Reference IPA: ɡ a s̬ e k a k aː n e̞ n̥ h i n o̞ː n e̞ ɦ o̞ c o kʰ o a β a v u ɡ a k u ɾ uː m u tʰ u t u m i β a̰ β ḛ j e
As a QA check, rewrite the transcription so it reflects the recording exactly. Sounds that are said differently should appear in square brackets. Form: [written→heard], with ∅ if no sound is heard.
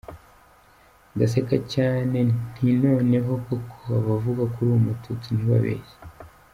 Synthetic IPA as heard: ɡ a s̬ e k a [k→c] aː n e̞ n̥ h i n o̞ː n e̞ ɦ o̞ [c→k] o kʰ o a β a v u ɡ a k u ɾ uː m u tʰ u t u [m→n] i β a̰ β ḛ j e

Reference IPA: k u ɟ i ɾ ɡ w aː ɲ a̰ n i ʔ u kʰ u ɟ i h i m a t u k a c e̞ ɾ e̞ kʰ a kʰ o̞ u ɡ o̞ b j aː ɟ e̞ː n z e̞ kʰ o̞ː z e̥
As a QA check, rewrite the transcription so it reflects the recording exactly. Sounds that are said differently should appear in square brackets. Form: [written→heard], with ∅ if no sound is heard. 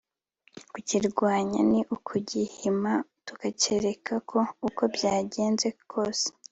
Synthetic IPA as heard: k u [ɟ→c] i ɾ ɡ w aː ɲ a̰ n i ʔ u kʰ u ɟ i h i m a t u k a c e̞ ɾ e̞ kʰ a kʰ o̞ u [ɡ→k] o̞ b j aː ɟ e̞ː n z e̞ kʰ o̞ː [z→s] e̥

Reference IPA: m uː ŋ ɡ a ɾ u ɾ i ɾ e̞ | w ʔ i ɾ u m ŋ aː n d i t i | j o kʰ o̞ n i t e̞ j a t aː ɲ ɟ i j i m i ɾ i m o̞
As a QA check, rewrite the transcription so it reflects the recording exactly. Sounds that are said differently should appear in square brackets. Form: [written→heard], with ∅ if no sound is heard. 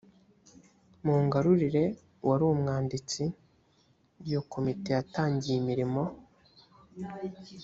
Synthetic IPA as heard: m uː ŋ ɡ a ɾ u ɾ i ɾ e̞ | w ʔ [i→a] ɾ u m ŋ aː n d i [t→t͡s] i | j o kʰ o̞ [n→m] i t e̞ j a t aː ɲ ɟ i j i m i ɾ i m o̞

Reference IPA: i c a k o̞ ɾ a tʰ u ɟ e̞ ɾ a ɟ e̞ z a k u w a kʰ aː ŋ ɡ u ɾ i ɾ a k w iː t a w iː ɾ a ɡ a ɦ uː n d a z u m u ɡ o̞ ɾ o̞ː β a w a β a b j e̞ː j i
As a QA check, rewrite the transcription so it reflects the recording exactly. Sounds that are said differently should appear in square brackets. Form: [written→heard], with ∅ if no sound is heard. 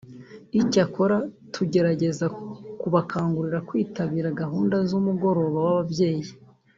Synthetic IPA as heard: i c a k o̞ ɾ a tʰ u ɟ e̞ ɾ a ɟ e̞ z a k u [w→β] a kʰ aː ŋ ɡ u ɾ i ɾ a k w iː t a [w→β] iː ɾ a ɡ a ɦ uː n d a z u m u ɡ o̞ ɾ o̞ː β a w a β a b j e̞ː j i

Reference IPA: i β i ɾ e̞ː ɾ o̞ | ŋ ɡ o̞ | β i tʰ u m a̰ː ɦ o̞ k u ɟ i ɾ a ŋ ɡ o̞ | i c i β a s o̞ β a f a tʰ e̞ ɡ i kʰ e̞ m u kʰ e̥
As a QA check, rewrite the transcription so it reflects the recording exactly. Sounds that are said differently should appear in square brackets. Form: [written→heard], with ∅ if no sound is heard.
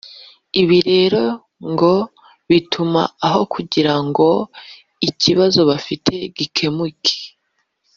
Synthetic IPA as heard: i β i ɾ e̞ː ɾ o̞ | ŋ ɡ o̞ | β i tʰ u m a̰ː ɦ o̞ k u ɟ i ɾ a ŋ ɡ o̞ | i c i β a [s→z] o̞ β a f [a→i] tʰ e̞ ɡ i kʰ e̞ m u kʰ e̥

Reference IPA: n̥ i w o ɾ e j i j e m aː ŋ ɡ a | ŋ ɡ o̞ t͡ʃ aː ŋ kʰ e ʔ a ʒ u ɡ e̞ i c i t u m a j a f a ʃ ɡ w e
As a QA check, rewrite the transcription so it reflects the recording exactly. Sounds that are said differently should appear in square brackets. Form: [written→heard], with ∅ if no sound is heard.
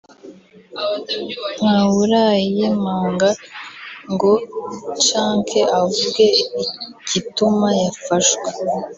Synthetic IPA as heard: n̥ [i→a] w [o→u] ɾ [e→a] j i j e m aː ŋ ɡ a | ŋ ɡ o̞ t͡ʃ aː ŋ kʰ e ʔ a [ʒ→v] u ɡ e̞ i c i t u m a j a f a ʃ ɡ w e

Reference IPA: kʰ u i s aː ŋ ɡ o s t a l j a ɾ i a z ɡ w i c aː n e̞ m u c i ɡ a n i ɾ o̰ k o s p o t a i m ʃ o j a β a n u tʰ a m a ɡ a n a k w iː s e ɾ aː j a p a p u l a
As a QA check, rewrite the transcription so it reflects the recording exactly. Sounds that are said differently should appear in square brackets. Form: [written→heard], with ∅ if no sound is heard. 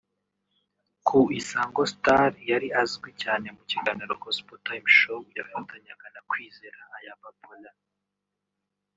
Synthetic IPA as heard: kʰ u i s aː ŋ ɡ o s t a [l→ɾ] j a ɾ i a z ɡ w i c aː n e̞ m u c i ɡ a n i ɾ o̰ k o s p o t a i m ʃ o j a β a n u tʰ a [m→ɲ] a ɡ a n a k w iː [s→z] e ɾ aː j a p a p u l a

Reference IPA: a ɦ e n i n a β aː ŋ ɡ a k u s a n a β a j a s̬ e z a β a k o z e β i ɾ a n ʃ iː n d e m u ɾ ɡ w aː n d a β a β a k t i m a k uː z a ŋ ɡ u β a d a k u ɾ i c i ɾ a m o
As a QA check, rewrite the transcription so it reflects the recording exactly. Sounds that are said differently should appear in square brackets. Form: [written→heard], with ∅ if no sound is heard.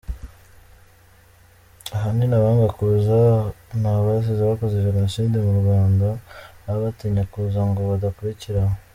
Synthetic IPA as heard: a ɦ [e→a] n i n a β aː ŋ ɡ a k u [s→z] a n a β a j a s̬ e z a β a k o z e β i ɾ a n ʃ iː n d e m u ɾ ɡ w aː n d a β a β a [k→∅] t i [m→ɲ] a k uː z a ŋ ɡ [u→o] β a d a k u ɾ i c i ɾ a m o

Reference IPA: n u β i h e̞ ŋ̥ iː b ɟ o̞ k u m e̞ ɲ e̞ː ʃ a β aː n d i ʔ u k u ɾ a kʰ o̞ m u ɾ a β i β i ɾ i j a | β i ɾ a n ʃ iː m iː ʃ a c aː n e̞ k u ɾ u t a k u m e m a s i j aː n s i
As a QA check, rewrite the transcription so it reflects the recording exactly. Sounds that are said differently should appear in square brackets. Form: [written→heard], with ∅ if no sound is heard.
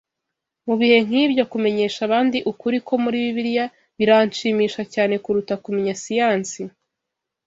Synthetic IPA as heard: [n→m] u β i h e̞ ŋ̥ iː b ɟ o̞ k u m e̞ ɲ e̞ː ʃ a β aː n d i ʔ u k u ɾ [a→i] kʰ o̞ m u ɾ [a→i] β i β i ɾ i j a | β i ɾ a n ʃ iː m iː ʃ a c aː n e̞ k u ɾ u t a k u m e [m→ɲ] a s i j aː n s i

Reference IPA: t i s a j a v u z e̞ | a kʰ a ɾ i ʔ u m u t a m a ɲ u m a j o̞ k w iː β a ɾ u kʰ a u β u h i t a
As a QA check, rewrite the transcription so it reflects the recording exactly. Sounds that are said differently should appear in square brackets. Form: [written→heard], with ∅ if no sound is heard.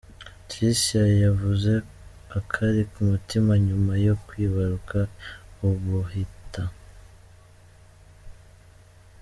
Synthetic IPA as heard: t i s a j a v u z e̞ | a kʰ a ɾ i [ʔ→k] u m u t [a→i] m a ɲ u m a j o̞ k w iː β a ɾ u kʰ a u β u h i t a

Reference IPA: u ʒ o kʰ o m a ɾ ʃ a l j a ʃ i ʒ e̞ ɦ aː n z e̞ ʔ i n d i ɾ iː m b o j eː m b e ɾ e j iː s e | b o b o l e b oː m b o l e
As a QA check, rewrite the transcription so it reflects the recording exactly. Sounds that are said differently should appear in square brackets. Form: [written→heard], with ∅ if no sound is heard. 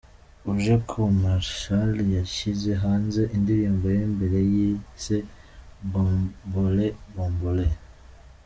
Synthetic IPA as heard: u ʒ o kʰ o m a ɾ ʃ a l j a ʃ i [ʒ→z] e̞ ɦ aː n z e̞ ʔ i n d i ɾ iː m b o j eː m b e ɾ e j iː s e | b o b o l e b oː m b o l e

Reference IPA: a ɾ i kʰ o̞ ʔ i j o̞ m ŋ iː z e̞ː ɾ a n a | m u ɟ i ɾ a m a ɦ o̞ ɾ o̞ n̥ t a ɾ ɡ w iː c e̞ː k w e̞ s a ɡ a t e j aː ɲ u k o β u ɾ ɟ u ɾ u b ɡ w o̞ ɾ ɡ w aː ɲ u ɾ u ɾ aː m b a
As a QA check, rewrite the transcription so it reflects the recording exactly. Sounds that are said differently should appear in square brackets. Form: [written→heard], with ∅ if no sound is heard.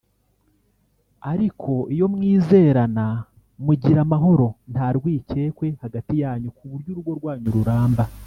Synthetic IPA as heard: a ɾ i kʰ o̞ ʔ i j o̞ m ŋ iː z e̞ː ɾ a n a | m u ɟ i ɾ a m a ɦ o̞ ɾ o̞ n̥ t a ɾ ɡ w iː c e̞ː k w e̞ [s→h] a ɡ a t [e→i] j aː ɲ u k [o→u] β u ɾ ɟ u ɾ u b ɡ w o̞ ɾ ɡ w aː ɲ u ɾ u ɾ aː m b a

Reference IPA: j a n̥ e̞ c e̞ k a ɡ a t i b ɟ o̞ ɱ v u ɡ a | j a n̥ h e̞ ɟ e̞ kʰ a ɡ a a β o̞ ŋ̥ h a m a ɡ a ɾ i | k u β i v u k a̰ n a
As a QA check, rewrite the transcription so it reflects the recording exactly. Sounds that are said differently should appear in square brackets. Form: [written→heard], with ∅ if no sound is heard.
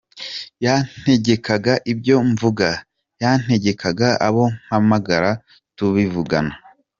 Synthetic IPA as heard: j a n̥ e̞ [c→ɟ] e̞ k a ɡ a [t→ʔ] i b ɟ o̞ ɱ v u ɡ a | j a n̥ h e̞ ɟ e̞ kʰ a ɡ a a β o̞ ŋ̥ h a m a ɡ a ɾ [i→a] | [k→t] u β i v u [k→ɡ] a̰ n a

